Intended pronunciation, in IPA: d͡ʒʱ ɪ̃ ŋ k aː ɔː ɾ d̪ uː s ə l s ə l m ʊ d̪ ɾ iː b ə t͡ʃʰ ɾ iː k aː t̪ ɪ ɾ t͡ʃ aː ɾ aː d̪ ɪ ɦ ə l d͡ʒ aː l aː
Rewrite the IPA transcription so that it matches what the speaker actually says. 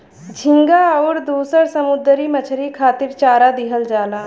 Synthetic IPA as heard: d͡ʒʱ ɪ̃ ŋ ɡ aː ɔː ɾ d̪ uː s ə ɾ s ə m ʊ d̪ ɾ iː m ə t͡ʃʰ ɾ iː kʰ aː t̪ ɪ ɾ t͡ʃ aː ɾ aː d̪ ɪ ɦ ə l d͡ʒ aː l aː